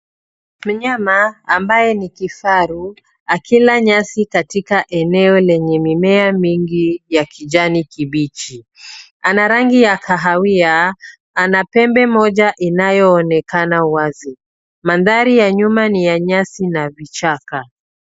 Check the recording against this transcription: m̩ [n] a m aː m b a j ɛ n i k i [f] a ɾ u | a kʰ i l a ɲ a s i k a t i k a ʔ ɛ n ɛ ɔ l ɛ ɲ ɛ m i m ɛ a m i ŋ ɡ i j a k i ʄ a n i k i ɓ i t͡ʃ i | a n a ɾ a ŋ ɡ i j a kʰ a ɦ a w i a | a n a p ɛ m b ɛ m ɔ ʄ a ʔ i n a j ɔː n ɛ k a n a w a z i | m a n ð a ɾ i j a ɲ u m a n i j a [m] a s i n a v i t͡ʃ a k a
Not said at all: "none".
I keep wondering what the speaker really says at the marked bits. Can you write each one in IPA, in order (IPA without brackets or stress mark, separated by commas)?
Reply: ɲ, f, ɲ